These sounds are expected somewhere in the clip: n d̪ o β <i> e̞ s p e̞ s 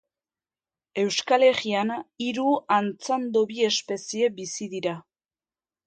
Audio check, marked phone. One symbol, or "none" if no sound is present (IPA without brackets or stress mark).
i